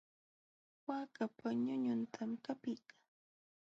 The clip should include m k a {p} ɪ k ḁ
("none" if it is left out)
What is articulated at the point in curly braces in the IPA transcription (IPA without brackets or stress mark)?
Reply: p